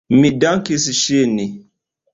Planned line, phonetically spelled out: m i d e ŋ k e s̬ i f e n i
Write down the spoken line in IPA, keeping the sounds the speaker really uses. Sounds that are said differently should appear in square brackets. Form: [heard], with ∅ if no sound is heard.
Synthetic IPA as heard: m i d [a] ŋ k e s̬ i [ʃ] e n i